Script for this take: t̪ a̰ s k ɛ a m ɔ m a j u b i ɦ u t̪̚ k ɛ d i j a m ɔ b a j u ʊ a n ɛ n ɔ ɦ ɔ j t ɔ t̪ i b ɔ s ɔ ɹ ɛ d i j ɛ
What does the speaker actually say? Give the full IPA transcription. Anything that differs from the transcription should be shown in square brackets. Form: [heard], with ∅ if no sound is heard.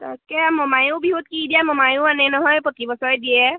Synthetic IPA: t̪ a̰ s k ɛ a m ɔ m a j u b i ɦ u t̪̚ k [i] d i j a m ɔ [m] a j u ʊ a n ɛ n ɔ ɦ ɔ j [p] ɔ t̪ i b ɔ s ɔ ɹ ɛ d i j ɛ